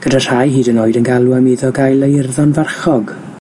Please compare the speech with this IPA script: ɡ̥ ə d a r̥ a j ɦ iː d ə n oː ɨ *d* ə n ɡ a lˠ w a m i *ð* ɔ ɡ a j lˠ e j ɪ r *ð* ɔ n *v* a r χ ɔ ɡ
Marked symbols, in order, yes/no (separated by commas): yes, yes, yes, yes